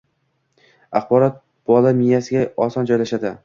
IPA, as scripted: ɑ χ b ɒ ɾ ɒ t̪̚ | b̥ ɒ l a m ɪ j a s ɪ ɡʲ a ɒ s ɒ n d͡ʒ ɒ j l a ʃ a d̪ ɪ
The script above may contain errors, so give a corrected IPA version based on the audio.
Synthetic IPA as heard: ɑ χ b ɒ ɾ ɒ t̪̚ | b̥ ɒ l a m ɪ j a s ɪ ɡʲ a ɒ s ɒ n d͡ʒ ɒ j l a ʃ a d̪ ɪ